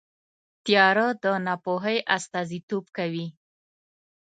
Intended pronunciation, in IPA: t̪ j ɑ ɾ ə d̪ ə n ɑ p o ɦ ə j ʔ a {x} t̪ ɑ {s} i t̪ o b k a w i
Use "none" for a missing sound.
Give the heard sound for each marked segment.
s, z

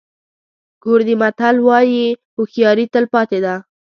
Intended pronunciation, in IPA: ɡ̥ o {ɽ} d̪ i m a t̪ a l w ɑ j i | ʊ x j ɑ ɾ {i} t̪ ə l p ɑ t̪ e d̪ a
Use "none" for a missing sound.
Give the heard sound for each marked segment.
ɾ, i

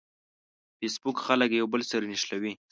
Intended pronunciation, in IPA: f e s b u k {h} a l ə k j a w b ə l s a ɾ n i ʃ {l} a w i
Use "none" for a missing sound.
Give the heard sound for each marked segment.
x, l

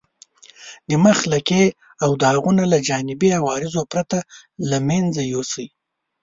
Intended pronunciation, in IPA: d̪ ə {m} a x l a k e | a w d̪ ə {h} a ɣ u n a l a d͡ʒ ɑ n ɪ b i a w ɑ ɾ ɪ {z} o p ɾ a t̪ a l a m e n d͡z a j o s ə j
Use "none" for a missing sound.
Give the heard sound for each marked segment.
m, h, z

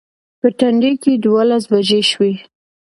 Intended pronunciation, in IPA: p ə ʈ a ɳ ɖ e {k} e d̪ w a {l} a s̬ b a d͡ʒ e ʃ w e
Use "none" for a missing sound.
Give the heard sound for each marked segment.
k, l

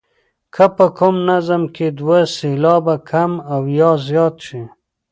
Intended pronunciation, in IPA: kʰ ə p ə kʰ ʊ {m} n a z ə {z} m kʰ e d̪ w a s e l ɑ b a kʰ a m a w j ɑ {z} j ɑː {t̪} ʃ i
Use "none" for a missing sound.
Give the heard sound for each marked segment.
m, none, z, t̪

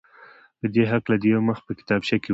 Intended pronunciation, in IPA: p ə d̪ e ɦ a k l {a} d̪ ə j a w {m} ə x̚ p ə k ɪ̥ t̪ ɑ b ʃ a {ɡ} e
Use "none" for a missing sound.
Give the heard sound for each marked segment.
a, m, k

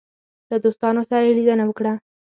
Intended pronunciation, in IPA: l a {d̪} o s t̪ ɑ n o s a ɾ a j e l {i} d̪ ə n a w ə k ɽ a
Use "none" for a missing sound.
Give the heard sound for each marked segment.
d̪, i

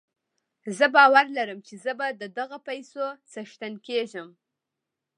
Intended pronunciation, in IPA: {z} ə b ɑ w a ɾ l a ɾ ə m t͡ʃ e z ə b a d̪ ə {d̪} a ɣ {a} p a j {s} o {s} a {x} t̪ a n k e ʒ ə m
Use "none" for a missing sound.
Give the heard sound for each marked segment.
z, d̪, a, s, t͡s, ʃ

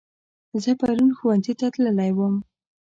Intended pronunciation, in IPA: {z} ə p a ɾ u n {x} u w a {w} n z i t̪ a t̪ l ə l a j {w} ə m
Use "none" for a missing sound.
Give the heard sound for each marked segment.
z, x, none, w

